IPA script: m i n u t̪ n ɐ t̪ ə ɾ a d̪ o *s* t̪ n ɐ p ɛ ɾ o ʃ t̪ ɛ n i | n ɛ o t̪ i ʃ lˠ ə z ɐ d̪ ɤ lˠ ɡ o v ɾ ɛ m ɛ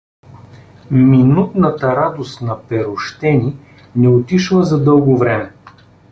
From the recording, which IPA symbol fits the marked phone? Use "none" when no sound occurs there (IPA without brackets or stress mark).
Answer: s